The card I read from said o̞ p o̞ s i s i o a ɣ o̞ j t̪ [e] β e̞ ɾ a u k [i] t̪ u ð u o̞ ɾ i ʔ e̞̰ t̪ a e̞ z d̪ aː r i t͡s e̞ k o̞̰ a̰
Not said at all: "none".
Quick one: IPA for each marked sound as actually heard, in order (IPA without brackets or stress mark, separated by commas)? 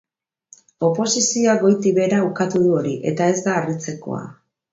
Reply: i, a